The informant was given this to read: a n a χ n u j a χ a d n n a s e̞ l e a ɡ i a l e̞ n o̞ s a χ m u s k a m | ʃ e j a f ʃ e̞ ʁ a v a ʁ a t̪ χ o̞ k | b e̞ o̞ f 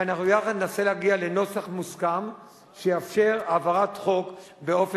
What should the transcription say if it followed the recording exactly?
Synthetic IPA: a n a χ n u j a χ a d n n a s e̞ l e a ɡ i a l e̞ n o̞ s a χ m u s k a m | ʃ e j a f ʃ e̞ ʁ a v a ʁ a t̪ χ o̞ k | b e̞ o̞ f